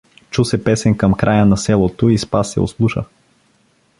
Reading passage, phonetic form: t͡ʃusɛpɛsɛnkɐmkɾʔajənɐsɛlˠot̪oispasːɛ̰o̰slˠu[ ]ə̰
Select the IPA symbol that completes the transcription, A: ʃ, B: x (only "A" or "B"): A